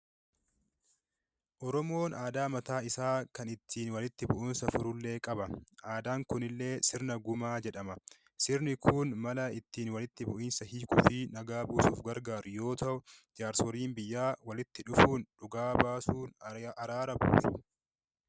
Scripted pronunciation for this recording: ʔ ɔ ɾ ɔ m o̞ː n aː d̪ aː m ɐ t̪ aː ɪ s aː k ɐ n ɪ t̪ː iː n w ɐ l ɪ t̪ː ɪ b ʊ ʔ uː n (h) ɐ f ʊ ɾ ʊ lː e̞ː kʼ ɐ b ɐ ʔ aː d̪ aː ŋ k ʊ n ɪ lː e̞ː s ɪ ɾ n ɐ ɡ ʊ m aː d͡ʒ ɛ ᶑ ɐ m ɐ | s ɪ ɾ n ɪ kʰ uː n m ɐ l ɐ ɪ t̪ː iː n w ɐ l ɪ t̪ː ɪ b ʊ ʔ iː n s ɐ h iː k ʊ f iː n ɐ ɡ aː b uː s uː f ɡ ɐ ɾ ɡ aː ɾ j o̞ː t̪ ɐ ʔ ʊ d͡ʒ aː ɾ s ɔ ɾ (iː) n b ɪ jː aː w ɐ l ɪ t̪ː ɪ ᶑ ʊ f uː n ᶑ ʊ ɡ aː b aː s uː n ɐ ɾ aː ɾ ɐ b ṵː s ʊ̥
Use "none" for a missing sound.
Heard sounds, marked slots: s, iː

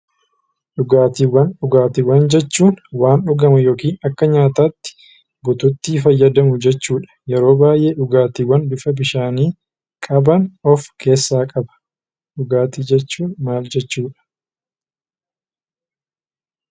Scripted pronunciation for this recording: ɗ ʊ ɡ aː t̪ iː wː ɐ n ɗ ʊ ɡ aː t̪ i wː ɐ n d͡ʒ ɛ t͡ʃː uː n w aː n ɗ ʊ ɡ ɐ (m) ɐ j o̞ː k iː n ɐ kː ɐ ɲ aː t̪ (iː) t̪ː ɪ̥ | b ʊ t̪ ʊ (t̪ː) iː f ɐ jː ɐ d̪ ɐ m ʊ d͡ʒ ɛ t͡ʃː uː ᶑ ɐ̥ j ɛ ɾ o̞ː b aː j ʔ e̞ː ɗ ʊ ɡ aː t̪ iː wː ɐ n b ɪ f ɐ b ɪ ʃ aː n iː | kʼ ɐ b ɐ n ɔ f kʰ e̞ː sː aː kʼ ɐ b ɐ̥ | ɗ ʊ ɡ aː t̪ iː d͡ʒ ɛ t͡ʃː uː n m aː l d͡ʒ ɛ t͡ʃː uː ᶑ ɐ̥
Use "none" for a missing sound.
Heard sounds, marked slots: m, aː, t̪ː

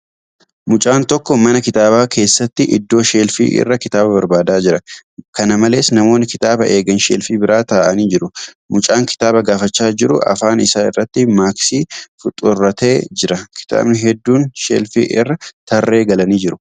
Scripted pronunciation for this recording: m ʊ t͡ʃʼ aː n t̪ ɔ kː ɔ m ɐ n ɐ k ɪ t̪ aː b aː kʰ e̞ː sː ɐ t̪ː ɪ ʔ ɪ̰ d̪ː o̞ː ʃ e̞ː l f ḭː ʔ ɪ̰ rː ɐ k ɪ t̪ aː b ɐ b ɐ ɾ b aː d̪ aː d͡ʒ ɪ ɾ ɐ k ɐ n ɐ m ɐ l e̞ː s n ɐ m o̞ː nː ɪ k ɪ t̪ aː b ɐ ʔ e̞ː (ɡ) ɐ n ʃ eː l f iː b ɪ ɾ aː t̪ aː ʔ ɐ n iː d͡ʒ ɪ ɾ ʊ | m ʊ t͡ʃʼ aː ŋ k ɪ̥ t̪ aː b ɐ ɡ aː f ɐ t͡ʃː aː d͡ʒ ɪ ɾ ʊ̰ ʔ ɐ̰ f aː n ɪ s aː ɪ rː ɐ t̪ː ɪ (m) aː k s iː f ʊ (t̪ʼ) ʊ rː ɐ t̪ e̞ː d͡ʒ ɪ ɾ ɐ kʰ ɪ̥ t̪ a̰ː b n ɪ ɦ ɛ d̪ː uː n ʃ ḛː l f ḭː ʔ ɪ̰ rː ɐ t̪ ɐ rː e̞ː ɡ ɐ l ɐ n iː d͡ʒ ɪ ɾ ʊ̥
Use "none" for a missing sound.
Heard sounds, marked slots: ɡ, m, t̪ʼ

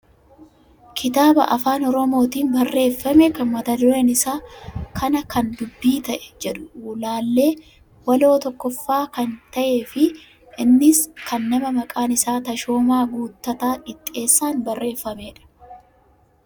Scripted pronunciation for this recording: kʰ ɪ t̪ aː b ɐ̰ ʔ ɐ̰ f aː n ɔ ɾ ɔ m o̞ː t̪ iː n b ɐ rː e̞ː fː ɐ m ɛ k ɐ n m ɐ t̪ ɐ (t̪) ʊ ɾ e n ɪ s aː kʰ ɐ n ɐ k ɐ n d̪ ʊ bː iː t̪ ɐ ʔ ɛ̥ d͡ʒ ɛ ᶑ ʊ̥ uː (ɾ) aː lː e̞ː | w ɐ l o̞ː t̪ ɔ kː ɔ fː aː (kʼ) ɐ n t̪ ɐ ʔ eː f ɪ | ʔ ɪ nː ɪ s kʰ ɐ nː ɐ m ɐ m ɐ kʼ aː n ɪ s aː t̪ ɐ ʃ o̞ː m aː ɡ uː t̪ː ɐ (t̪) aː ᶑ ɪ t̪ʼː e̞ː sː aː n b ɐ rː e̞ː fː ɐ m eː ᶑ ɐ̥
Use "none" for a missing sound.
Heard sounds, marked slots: d̪, l, k, t̪

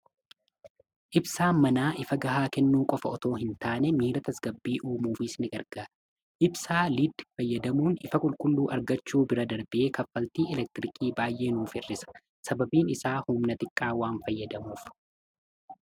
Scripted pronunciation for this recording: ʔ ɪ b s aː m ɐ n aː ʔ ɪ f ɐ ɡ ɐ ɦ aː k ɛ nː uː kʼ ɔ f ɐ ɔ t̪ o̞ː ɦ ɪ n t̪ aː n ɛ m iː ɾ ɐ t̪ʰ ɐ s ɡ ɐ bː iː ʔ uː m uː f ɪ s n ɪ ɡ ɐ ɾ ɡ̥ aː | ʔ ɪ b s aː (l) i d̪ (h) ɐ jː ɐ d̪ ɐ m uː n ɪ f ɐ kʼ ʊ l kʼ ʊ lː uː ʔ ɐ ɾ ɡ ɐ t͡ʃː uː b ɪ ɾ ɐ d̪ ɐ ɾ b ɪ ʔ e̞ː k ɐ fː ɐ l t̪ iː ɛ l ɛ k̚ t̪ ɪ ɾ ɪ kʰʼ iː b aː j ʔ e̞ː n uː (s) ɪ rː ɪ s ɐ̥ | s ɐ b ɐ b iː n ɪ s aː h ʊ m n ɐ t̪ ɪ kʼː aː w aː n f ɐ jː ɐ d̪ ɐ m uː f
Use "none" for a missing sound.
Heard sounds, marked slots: l, f, f

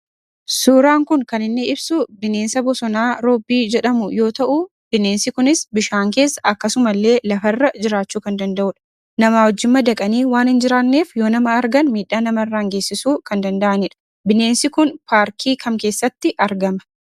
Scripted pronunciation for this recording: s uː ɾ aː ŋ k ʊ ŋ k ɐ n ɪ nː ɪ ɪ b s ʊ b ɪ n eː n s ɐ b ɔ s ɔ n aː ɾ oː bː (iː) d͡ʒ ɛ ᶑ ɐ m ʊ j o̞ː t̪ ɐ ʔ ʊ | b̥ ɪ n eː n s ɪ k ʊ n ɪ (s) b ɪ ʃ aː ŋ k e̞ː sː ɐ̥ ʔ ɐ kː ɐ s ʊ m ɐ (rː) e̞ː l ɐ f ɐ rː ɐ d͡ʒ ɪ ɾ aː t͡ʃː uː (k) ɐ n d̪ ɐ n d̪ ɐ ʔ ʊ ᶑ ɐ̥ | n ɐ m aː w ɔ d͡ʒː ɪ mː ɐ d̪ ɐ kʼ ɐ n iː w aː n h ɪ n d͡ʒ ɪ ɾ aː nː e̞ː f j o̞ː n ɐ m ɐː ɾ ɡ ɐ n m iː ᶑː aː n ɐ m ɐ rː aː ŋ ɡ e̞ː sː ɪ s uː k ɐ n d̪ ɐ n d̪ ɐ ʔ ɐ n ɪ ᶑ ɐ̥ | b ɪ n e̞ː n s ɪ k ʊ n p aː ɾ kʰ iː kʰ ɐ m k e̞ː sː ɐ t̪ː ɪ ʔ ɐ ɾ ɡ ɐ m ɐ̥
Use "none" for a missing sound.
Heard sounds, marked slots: iː, s, lː, k

